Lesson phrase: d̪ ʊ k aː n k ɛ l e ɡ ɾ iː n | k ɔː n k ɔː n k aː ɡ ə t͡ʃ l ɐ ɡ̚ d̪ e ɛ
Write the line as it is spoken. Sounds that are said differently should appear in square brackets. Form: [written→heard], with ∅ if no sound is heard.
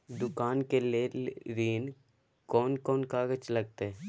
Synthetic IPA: d̪ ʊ k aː n k [ɛ→e] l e [ɡ→∅] ɾ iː n | k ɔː n k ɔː n k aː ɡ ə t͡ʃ l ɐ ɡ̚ [d̪→t̪] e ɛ